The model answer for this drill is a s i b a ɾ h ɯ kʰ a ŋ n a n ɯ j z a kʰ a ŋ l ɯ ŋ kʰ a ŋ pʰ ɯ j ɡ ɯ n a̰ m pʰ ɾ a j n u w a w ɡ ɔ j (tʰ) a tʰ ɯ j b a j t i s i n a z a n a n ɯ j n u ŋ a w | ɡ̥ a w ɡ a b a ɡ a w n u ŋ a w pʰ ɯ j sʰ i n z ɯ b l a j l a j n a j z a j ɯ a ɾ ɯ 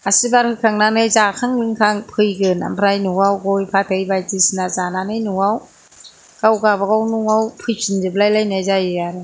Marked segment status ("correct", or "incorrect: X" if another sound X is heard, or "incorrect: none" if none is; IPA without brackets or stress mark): incorrect: pʰ